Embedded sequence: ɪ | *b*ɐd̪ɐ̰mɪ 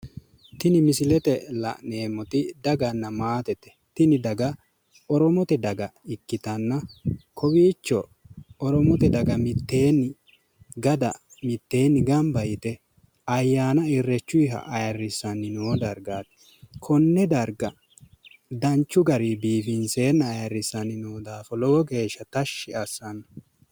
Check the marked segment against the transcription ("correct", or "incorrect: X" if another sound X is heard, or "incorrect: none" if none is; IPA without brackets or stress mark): incorrect: ɡ